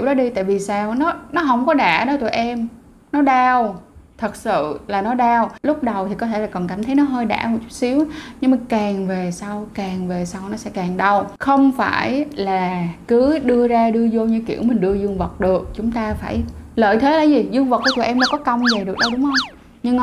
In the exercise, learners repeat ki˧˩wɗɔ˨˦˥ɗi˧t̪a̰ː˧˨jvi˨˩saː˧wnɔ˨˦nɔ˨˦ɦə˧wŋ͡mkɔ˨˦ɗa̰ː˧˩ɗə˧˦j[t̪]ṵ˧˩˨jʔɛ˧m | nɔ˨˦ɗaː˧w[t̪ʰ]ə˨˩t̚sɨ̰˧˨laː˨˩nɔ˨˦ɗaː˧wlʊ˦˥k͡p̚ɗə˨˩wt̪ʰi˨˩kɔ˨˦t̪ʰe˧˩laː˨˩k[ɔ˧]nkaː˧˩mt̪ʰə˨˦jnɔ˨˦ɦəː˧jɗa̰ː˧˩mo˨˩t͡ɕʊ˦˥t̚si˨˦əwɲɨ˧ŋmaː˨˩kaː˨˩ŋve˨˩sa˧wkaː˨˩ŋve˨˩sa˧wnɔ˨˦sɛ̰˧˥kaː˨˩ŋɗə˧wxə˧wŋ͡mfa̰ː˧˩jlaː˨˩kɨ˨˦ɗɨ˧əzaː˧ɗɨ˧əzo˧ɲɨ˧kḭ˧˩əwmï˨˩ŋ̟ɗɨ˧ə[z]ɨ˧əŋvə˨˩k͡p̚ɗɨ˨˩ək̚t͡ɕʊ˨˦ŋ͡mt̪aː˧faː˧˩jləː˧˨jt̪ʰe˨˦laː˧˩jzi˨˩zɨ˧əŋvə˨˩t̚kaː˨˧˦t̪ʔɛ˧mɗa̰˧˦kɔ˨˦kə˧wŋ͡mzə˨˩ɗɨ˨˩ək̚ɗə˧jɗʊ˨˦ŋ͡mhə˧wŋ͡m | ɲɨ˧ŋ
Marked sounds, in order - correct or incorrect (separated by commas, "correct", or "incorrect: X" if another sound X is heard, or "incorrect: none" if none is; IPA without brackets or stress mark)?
correct, correct, incorrect: ɔ˨˩, correct